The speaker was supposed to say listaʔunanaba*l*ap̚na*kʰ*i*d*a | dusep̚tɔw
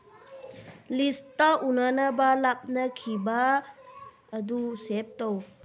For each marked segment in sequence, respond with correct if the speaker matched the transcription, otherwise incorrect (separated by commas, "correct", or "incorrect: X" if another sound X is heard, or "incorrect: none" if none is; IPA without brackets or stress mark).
correct, correct, incorrect: b